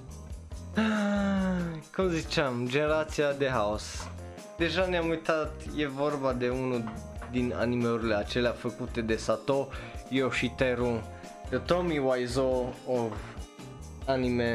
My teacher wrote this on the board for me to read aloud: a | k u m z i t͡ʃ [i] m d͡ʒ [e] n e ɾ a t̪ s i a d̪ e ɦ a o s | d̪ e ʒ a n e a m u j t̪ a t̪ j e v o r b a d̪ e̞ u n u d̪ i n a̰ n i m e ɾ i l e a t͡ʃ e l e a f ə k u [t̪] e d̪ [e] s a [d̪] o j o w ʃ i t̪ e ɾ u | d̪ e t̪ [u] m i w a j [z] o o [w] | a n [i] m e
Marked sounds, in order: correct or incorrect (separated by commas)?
incorrect, correct, correct, correct, incorrect, incorrect, correct, incorrect, correct